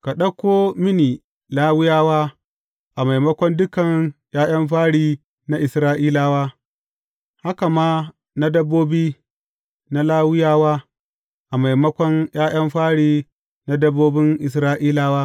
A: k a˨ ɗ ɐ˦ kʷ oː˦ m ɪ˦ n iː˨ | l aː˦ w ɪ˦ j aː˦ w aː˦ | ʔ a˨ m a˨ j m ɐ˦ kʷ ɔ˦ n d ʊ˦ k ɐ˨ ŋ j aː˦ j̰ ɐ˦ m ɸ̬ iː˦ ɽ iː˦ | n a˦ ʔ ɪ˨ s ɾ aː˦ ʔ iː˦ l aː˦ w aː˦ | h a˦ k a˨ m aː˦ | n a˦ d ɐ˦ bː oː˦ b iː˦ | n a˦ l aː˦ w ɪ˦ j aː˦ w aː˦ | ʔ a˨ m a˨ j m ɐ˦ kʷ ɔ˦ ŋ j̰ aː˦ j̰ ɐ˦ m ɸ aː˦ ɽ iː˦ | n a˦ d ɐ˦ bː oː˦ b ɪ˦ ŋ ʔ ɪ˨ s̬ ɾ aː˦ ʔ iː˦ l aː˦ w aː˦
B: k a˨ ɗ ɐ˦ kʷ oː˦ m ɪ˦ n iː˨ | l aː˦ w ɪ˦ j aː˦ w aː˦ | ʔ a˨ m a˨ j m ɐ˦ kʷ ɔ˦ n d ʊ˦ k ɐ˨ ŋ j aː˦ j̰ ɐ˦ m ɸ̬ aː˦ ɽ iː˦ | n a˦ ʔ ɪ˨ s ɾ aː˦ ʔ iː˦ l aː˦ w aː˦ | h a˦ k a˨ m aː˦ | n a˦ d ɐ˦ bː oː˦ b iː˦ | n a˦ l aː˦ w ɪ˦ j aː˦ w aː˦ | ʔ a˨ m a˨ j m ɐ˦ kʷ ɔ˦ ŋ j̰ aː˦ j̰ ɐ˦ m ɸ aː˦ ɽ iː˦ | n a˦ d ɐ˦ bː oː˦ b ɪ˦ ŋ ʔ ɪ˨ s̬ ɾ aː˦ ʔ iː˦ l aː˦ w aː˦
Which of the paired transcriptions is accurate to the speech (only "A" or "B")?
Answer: B